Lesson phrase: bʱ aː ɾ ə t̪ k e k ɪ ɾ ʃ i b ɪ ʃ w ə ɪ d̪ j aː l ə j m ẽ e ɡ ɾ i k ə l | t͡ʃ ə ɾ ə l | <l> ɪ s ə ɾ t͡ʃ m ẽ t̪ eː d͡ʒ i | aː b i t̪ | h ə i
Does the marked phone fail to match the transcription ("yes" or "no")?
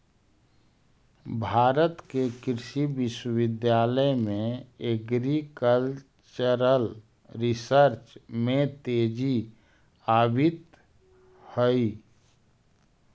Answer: yes